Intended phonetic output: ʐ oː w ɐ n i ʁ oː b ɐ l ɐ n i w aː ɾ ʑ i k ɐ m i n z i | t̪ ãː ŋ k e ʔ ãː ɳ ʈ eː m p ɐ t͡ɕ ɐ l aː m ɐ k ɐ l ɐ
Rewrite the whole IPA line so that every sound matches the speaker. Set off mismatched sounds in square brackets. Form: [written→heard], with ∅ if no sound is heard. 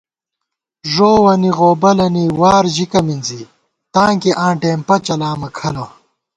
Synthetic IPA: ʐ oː w ɐ n i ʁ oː b ɐ l ɐ n i w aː ɾ ʑ i k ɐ m i n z i | t̪ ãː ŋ k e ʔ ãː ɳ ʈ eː m p ɐ t͡ɕ ɐ l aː m ɐ [k→kʰ] ɐ l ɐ